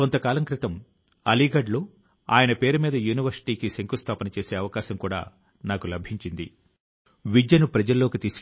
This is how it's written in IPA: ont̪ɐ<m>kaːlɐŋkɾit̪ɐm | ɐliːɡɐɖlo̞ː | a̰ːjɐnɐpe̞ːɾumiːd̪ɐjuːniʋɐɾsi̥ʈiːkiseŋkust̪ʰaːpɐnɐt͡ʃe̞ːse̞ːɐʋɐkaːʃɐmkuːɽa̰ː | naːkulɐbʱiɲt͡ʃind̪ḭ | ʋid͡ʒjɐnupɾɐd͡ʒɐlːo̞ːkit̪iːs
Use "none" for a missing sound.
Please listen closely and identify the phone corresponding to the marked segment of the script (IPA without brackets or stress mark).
none